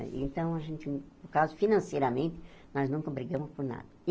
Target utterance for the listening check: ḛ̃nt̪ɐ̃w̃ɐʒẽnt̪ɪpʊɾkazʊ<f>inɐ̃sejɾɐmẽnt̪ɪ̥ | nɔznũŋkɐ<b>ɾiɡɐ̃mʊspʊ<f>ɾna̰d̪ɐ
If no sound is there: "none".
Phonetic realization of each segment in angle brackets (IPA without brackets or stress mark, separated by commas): f, b, none